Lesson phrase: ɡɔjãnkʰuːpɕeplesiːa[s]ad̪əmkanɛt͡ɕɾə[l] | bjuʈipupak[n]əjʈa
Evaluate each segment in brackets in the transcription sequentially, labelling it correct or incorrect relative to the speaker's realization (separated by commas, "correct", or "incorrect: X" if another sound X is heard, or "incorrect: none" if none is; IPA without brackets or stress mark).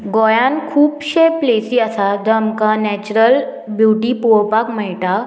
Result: correct, correct, incorrect: m